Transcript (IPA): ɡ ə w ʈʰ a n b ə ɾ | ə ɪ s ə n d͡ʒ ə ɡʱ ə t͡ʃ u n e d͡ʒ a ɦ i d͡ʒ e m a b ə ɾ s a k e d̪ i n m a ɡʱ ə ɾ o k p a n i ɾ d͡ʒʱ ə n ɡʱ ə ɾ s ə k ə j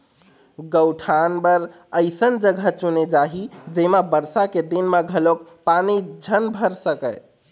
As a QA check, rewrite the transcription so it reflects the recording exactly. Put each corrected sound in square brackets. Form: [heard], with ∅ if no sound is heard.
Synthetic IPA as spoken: ɡ ə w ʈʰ a n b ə ɾ | ə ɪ s ə n d͡ʒ ə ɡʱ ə t͡ʃ u n e d͡ʒ a ɦ i d͡ʒ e m a b ə ɾ s a k e d̪ i n m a ɡʱ ə [l] o k p a n i [∅] d͡ʒʱ ə n [bʱ] ə ɾ s ə k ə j

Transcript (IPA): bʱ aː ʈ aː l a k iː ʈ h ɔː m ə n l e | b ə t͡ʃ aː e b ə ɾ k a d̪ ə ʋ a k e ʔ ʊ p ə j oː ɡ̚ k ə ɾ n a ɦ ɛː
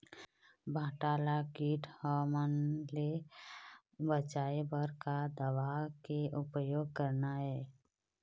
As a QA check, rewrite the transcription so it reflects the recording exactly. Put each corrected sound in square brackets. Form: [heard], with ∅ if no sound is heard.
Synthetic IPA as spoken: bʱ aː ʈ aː l a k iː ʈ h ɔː m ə n l e | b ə t͡ʃ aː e b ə ɾ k a d̪ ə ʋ a k e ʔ ʊ p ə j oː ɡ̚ k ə ɾ n a ɦ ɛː

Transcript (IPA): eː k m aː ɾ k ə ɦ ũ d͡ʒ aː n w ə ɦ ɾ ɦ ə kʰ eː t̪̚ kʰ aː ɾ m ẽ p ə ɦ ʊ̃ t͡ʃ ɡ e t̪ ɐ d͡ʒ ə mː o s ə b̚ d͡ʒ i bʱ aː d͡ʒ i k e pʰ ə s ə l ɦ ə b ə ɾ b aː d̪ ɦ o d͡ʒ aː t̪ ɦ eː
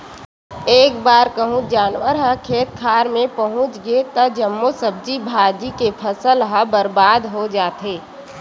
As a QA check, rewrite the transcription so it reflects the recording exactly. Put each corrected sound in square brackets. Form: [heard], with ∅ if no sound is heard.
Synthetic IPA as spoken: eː k [b] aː ɾ k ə ɦ ũ d͡ʒ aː n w ə [∅] ɾ ɦ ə kʰ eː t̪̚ kʰ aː ɾ m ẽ p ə ɦ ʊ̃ t͡ʃ ɡ e t̪ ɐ d͡ʒ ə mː o s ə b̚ d͡ʒ i bʱ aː d͡ʒ i k e pʰ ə s ə l ɦ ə b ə ɾ b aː d̪ ɦ o d͡ʒ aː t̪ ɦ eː

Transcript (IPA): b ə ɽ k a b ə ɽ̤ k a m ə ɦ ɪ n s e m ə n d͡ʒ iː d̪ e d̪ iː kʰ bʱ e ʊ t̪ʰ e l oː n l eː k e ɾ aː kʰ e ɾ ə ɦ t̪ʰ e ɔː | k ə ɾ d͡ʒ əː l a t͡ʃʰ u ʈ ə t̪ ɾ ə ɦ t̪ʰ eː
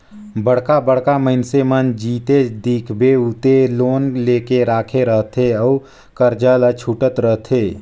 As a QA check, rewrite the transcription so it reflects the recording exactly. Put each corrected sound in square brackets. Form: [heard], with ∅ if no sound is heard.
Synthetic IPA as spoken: b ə ɽ k a b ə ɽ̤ k a m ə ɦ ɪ n s e m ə n d͡ʒ iː [t̪] e d̪ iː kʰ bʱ e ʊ [t̪] e l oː n l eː k e ɾ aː kʰ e ɾ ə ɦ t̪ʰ e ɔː | k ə ɾ d͡ʒ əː l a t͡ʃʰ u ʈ ə t̪ ɾ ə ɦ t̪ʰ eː

